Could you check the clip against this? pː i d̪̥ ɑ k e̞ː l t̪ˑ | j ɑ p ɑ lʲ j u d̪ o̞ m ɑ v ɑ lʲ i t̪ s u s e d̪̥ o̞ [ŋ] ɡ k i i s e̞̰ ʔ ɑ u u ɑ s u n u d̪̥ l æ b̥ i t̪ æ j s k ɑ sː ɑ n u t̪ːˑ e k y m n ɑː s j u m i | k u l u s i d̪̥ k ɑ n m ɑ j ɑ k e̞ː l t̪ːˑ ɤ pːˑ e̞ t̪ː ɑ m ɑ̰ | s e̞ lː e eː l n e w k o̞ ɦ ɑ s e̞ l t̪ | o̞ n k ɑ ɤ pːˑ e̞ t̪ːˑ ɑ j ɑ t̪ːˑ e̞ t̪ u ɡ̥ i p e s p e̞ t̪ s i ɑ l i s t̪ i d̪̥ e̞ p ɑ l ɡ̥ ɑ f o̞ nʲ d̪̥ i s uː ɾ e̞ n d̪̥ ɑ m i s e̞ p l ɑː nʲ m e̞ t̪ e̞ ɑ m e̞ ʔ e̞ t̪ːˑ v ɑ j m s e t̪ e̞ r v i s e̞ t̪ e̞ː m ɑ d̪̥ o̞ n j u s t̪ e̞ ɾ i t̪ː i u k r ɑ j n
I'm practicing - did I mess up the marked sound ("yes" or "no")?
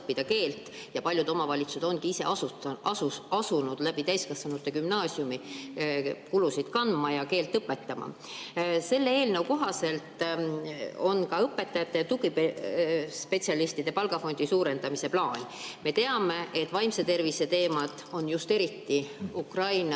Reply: yes